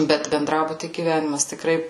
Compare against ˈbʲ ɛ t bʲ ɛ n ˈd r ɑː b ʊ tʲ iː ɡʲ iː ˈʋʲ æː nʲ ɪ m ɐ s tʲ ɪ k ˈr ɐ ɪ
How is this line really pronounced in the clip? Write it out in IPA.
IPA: ˈbʲ ɛ t bʲ ɛ n ˈd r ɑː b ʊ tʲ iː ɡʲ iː ˈʋʲ æː nʲ ɪ m ɐ s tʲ ɪ k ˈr ɐ ɪ